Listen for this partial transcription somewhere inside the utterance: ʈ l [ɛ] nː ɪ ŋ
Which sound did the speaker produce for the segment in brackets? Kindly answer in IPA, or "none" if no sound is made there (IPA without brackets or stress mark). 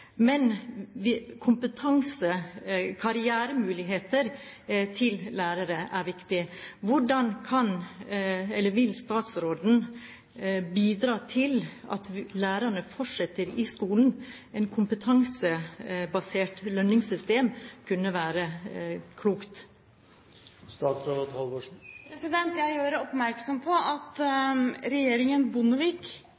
œ